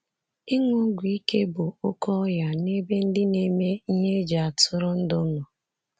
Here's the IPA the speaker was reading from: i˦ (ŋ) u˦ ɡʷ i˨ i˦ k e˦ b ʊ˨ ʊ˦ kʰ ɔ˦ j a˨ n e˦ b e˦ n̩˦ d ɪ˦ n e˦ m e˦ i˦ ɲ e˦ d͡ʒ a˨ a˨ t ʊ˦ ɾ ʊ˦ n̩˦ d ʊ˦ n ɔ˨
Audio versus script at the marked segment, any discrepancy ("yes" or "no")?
no